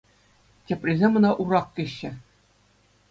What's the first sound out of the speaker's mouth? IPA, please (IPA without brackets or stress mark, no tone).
tʲ